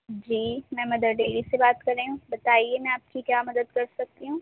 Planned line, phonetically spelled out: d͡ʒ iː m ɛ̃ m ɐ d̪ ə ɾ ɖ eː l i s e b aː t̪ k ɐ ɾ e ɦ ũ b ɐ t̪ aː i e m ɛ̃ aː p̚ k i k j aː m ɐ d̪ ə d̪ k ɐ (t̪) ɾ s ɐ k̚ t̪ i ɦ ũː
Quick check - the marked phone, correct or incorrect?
incorrect